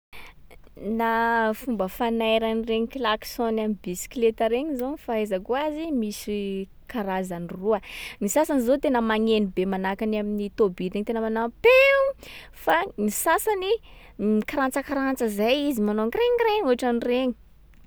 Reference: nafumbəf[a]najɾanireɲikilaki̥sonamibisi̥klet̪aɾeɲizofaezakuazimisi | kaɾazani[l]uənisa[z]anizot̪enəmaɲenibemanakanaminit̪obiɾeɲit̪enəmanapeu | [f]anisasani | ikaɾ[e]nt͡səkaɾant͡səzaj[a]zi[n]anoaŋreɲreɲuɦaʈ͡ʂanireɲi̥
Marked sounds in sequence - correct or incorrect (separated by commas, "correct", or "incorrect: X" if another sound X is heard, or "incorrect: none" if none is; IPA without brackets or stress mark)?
correct, incorrect: r, incorrect: s, correct, incorrect: a, incorrect: i, incorrect: m